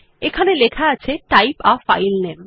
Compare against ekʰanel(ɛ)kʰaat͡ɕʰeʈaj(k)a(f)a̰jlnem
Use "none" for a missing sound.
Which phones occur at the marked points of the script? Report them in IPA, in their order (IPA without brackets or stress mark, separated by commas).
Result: e, p, f